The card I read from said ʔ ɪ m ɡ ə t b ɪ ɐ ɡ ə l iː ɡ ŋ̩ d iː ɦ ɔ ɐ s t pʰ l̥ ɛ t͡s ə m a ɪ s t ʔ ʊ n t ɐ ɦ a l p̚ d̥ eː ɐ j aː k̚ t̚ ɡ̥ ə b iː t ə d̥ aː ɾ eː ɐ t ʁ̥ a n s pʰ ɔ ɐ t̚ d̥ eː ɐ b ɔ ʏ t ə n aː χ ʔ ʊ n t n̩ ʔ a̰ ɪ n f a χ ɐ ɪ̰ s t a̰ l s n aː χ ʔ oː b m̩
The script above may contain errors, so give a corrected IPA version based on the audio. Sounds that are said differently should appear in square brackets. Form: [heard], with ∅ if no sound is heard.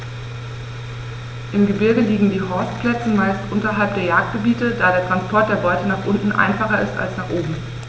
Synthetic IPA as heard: ʔ ɪ m ɡ ə [∅] b ɪ ɐ ɡ ə l iː ɡ ŋ̩ d iː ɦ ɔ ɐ s t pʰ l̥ ɛ t͡s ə m a ɪ s t ʔ ʊ n t ɐ ɦ a l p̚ d̥ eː ɐ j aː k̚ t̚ ɡ̥ ə b iː t ə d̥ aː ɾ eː ɐ t ʁ̥ a n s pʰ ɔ ɐ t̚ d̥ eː ɐ b ɔ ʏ t ə n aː χ ʔ ʊ n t n̩ ʔ a̰ ɪ n f a χ ɐ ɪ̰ s t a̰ l s n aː χ ʔ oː b m̩